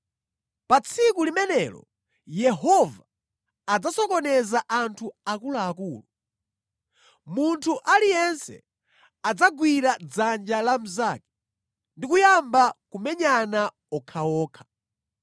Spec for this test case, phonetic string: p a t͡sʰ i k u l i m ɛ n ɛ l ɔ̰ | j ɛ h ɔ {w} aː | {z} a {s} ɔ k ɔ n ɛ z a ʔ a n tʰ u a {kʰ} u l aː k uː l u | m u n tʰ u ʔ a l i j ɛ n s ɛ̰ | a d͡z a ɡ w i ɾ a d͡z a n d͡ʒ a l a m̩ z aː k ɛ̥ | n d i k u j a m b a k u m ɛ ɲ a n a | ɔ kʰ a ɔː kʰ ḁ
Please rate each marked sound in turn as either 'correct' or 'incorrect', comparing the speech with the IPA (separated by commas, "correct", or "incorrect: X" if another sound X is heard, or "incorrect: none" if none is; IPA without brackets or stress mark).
incorrect: v, incorrect: d͡z, correct, incorrect: k